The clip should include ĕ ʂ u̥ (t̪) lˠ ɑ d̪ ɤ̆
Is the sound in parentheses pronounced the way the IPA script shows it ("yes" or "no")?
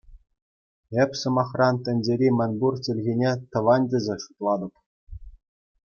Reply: yes